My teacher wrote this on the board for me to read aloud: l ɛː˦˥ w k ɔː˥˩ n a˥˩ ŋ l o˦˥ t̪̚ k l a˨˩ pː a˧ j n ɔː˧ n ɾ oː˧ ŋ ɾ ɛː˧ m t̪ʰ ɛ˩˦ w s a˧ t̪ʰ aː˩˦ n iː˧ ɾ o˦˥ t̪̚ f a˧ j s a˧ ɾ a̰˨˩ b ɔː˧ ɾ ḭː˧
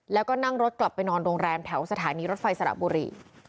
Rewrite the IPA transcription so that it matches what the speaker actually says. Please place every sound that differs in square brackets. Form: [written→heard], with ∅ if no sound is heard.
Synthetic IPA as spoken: l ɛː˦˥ w k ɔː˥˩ n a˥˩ ŋ [l→ɾ] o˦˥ t̪̚ k l a˨˩ pː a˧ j n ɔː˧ n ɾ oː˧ ŋ ɾ ɛː˧ m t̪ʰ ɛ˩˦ w s a˧ t̪ʰ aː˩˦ n iː˧ ɾ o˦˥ t̪̚ f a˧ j s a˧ ɾ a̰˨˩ b [ɔː˧→uː˧] ɾ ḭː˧